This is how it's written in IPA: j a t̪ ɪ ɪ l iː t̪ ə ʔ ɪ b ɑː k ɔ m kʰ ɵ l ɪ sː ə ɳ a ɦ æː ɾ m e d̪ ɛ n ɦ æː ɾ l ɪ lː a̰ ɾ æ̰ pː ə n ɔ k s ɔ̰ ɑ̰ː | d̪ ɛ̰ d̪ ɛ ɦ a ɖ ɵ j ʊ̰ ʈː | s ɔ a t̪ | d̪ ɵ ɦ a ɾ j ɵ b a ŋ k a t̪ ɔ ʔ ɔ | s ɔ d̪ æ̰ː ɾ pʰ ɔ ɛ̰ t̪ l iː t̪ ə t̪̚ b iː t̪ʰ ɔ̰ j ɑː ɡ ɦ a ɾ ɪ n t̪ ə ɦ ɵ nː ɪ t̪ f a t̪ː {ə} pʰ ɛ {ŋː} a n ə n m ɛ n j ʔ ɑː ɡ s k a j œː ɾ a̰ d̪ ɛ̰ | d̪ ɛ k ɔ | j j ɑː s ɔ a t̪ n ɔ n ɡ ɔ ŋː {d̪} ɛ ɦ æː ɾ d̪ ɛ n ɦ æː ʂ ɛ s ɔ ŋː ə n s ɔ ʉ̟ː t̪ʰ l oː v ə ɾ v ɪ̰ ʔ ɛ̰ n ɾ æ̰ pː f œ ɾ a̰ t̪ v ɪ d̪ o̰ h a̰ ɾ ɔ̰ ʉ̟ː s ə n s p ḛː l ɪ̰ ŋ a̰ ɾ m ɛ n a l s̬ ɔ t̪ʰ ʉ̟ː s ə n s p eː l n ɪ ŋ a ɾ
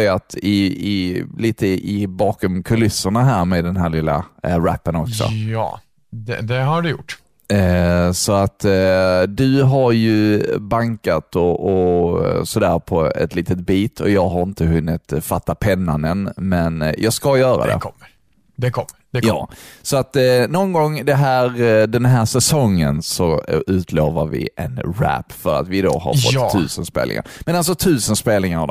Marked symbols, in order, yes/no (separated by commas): no, no, yes